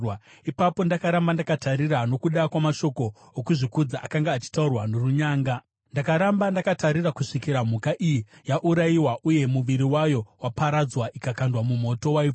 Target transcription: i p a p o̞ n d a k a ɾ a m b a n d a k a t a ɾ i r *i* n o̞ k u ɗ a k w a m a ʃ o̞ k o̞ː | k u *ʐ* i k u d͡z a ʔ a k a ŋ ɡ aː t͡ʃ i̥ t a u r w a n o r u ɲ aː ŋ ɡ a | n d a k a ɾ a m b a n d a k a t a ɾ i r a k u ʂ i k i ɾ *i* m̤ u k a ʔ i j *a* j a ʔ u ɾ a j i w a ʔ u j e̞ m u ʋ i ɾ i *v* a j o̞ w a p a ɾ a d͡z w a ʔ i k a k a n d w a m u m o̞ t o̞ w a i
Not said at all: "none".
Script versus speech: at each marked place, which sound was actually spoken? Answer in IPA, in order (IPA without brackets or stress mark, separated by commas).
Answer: a, ʐ, a, i, w